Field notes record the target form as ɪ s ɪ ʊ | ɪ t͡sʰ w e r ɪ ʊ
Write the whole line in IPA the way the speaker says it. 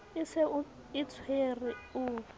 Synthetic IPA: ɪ s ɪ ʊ | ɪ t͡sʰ w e r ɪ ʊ